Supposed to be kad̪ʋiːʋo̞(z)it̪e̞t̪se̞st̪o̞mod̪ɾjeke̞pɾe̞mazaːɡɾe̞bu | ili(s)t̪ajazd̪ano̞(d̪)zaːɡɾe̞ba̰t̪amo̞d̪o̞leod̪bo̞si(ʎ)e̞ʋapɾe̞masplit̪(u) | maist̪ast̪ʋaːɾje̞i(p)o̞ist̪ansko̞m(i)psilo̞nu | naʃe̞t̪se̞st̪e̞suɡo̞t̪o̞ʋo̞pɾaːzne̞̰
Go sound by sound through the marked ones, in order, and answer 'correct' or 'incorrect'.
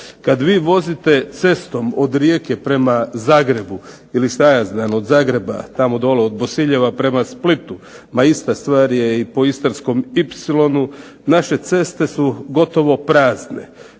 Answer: correct, correct, correct, correct, correct, correct, correct

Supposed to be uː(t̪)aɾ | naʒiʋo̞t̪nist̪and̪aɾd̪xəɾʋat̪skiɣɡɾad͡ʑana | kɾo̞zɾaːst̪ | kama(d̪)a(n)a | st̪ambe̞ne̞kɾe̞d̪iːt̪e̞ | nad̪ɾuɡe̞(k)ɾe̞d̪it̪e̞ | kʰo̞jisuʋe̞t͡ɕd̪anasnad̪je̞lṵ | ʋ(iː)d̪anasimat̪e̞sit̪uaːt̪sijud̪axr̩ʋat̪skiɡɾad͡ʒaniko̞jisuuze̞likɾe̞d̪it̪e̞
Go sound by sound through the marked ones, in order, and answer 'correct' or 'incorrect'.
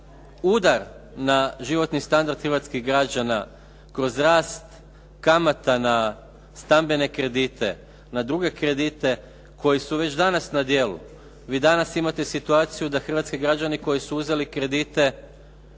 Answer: incorrect: d̪, incorrect: t̪, correct, correct, correct

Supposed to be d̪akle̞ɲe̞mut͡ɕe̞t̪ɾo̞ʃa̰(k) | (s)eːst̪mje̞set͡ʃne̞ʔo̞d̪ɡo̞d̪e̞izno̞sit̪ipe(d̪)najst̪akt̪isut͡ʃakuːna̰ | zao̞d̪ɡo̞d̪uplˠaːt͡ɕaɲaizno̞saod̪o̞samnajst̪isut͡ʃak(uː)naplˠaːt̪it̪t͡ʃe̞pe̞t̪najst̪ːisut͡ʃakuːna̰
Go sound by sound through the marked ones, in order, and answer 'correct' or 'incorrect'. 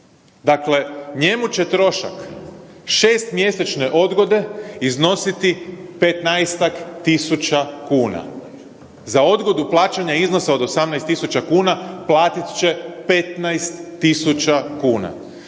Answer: correct, incorrect: ʃ, incorrect: t̪, correct

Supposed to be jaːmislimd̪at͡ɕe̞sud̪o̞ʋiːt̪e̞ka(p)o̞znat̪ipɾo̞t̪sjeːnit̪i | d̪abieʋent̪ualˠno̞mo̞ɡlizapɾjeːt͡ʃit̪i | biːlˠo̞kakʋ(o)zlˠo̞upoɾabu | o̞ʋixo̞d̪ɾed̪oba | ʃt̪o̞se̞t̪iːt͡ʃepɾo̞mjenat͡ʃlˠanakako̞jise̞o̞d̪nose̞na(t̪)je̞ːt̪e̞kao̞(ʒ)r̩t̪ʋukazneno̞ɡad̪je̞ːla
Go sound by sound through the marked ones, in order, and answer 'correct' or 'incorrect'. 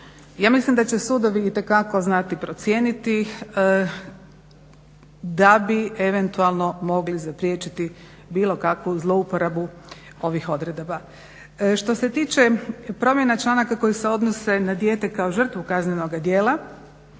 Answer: incorrect: k, incorrect: u, incorrect: d̪, correct

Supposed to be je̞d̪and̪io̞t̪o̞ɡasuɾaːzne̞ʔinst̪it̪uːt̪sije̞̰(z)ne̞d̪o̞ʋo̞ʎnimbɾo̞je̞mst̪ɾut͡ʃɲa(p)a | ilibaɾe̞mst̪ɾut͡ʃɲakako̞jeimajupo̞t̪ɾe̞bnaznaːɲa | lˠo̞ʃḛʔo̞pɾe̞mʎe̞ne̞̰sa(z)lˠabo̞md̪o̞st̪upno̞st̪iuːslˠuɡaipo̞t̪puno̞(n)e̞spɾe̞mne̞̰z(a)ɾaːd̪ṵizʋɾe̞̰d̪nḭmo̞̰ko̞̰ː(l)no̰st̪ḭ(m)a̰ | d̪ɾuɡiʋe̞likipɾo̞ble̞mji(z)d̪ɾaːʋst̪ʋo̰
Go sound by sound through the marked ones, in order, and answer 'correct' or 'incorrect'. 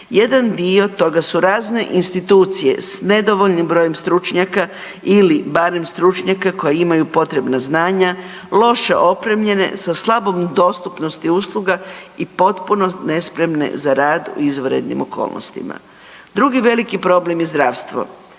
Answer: incorrect: s, incorrect: k, incorrect: s, correct, correct, correct, correct, correct

